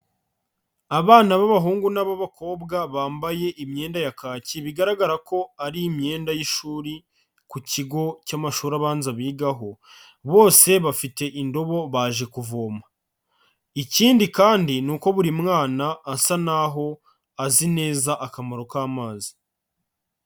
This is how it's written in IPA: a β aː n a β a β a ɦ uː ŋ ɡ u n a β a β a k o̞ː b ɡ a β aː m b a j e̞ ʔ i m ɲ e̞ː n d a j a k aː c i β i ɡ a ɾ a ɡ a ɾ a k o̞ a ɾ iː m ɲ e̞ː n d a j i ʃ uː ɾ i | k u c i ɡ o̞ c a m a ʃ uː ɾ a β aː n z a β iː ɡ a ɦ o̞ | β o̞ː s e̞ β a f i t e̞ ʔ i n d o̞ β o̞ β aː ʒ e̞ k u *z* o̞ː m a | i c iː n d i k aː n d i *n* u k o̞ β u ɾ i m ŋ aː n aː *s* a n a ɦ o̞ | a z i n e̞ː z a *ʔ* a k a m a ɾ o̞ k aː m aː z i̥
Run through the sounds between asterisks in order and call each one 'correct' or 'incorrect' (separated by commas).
incorrect, correct, correct, correct